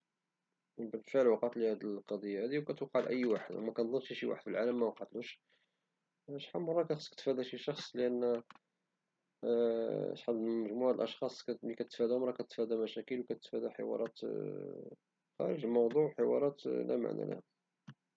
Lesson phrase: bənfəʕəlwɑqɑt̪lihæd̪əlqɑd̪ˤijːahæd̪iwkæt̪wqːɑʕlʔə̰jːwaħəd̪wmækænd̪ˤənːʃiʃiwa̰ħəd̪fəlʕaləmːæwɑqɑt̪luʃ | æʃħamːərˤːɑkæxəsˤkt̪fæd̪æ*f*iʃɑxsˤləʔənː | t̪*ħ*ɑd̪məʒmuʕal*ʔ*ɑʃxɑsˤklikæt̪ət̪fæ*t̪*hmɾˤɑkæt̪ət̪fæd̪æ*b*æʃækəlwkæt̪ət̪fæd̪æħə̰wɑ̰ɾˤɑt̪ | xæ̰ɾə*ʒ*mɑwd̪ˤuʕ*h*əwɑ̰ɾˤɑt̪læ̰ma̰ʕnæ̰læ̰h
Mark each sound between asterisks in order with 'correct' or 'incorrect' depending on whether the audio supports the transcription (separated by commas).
incorrect, correct, correct, incorrect, incorrect, correct, incorrect